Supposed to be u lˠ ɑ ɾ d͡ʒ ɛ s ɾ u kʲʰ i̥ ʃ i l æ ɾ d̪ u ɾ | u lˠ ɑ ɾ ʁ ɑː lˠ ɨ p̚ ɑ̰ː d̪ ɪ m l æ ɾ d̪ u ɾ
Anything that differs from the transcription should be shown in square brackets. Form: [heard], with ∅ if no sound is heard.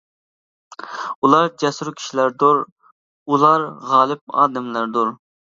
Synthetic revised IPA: u lˠ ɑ ɾ d͡ʒ ɛ s ɾ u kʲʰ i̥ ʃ i l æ ɾ d̪ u ɾ | u lˠ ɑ ɾ ʁ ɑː lˠ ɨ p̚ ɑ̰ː d̪ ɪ m l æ ɾ d̪ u ɾ